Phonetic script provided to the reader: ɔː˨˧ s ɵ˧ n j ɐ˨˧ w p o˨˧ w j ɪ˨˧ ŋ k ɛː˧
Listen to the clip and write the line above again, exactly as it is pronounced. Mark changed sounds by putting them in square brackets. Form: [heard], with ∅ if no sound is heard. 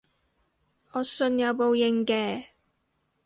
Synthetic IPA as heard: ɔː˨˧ s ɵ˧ n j ɐ˨˧ w p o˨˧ w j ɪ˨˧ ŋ k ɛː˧